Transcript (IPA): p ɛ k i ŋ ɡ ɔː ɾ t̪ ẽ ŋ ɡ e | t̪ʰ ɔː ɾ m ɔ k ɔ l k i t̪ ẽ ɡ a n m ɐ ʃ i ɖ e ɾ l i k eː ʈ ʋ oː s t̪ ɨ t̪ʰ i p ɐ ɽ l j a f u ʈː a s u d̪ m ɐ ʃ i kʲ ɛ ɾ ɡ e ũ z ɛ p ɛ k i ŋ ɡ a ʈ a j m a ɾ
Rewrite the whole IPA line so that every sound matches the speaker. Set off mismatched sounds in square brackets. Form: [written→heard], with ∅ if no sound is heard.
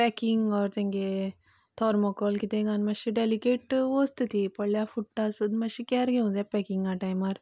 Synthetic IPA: p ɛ k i ŋ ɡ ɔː ɾ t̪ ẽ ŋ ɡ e | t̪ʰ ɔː ɾ m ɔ k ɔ l k i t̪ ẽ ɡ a n m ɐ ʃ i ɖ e [ɾ→∅] l i k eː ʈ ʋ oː s t̪ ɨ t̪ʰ i p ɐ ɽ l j a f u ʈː a s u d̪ m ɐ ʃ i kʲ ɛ ɾ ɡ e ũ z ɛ p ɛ k i ŋ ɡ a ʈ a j m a ɾ